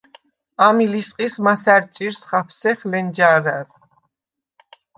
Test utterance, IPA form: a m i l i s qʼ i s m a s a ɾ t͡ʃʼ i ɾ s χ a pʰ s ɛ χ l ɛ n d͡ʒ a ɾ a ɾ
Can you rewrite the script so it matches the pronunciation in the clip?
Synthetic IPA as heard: a m i l i s qʼ i s m a s a ɾ t͡ʃʼ i ɾ s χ a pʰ s ɛ χ l ɛ n d͡ʒ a ɾ a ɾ